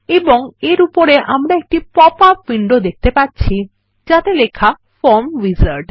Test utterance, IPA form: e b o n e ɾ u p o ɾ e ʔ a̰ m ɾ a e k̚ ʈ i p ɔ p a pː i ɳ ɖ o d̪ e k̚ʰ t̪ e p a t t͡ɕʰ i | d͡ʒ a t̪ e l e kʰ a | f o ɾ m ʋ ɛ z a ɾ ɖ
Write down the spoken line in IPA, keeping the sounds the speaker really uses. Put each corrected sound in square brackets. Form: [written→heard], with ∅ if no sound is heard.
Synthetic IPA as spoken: e b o [n→ŋ] e ɾ u p o ɾ e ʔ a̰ m ɾ a e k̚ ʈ i p ɔ p a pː i ɳ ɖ o d̪ e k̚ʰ t̪ e p a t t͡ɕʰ i | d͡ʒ a t̪ e l e kʰ a | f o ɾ m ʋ [ɛ→i] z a ɾ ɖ